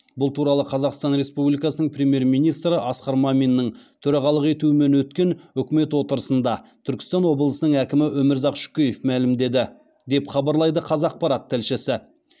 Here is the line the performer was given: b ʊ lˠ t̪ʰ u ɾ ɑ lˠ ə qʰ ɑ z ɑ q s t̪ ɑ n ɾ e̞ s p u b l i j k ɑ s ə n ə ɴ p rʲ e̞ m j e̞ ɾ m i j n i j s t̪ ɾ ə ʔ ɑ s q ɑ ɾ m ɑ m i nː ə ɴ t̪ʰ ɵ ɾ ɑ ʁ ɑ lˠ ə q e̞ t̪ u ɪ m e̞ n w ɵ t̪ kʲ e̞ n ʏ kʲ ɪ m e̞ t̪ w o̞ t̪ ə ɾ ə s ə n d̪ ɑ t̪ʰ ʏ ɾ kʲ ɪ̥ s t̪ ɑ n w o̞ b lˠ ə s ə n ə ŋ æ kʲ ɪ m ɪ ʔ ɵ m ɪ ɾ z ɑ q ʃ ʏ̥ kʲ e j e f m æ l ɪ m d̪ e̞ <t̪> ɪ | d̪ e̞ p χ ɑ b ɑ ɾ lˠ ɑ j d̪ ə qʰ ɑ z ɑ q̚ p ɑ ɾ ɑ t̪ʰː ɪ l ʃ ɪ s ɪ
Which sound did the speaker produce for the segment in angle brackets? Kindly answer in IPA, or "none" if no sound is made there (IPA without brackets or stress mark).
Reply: d̪